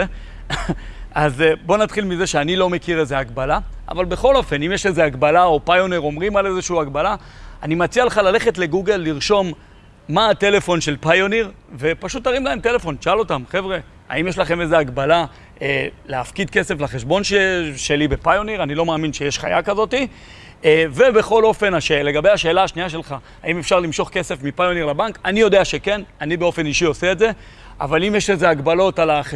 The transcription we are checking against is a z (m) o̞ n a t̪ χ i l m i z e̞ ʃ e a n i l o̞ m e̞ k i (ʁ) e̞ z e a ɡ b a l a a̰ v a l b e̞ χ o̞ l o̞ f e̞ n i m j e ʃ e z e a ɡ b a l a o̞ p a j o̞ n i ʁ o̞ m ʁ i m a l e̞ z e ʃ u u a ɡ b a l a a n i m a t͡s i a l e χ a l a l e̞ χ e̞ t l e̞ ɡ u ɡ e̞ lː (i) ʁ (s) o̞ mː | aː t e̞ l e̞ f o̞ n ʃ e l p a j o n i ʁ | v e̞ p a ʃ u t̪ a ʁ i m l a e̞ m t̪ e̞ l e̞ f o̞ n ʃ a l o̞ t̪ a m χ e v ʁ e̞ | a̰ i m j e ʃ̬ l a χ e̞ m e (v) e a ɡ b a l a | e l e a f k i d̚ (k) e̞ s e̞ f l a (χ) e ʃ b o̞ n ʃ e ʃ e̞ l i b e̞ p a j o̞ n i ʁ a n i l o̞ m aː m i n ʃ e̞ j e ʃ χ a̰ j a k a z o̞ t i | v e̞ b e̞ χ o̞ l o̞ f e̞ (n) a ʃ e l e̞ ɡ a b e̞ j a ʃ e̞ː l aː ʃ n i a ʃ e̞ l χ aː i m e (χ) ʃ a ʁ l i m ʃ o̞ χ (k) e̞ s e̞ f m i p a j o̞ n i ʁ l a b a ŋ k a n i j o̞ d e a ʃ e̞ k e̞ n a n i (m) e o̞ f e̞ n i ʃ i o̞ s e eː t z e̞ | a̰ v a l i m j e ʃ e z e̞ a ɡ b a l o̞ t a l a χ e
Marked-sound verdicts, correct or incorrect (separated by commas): incorrect, correct, correct, incorrect, incorrect, correct, correct, correct, incorrect, correct, incorrect